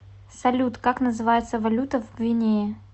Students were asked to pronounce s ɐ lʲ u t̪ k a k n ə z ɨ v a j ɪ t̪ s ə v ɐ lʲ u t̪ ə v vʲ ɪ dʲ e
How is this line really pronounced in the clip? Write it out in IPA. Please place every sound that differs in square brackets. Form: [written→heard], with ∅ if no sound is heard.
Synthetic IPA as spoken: s ɐ lʲ u t̪ k a k n ə z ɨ v a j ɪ t̪ s ə v ɐ lʲ u t̪ ə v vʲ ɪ [dʲ→nʲ] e